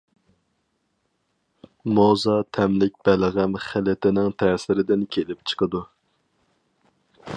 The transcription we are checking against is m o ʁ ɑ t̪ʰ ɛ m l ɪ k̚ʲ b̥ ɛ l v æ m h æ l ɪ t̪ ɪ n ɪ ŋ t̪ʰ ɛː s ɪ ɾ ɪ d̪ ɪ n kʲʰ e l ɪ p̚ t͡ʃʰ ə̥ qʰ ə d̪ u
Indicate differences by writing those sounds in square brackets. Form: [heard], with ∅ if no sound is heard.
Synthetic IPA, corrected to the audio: m o [z] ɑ t̪ʰ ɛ m l ɪ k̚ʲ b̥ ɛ l [ʁ] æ m [χ] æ l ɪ t̪ ɪ n ɪ ŋ t̪ʰ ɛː s ɪ ɾ ɪ d̪ ɪ n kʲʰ e l ɪ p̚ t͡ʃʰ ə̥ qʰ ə d̪ u